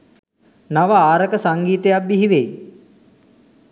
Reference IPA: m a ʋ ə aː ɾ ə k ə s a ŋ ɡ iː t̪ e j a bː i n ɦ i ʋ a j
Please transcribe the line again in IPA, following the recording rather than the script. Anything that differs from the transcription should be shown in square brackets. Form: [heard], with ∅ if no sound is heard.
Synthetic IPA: [n] a ʋ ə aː ɾ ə k ə s a ŋ ɡ iː t̪ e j a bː i [∅] ɦ i ʋ [e] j